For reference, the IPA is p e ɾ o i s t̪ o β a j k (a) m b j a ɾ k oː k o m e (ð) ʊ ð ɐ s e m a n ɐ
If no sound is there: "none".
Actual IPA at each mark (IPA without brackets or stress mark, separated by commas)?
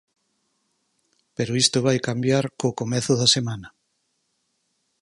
a, θ